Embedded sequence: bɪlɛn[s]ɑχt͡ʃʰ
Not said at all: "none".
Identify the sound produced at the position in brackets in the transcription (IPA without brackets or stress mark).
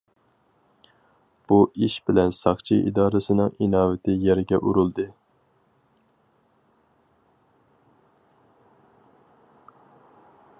s